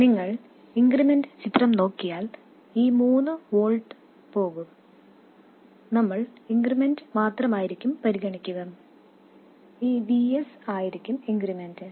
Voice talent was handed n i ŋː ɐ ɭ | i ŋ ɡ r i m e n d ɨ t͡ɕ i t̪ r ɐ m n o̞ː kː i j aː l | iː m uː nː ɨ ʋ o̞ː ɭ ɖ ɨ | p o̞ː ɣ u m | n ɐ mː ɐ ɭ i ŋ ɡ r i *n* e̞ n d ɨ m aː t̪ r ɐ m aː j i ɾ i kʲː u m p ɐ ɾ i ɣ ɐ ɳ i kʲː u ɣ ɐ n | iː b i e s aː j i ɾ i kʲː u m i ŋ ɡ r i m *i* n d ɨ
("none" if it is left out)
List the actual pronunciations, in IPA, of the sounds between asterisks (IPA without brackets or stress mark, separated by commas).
m, e